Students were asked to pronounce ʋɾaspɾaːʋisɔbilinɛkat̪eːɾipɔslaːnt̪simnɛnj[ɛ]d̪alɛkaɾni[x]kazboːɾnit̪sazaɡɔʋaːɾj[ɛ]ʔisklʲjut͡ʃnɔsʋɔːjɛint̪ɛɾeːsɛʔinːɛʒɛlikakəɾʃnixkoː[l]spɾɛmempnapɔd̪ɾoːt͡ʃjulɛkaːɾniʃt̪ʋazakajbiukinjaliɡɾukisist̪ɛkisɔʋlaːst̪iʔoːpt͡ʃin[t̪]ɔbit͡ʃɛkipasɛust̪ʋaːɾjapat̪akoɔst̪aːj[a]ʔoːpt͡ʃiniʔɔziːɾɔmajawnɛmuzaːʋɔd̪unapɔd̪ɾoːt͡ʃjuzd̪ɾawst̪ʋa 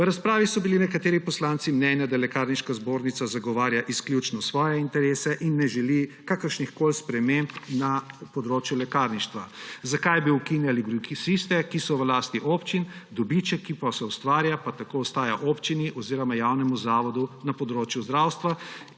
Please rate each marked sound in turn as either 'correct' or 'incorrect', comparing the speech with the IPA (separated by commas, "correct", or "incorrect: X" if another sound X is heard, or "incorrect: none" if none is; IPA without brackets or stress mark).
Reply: incorrect: a, incorrect: ʃ, incorrect: a, correct, incorrect: d̪, correct